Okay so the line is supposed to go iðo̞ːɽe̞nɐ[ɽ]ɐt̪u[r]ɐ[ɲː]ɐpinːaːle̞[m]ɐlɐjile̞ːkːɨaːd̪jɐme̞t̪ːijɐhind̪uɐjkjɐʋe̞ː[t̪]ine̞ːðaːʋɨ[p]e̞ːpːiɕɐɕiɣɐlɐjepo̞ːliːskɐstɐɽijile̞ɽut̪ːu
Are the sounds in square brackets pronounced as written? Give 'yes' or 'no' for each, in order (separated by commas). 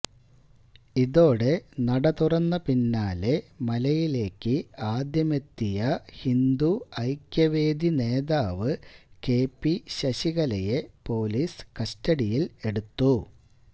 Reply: yes, yes, no, yes, no, no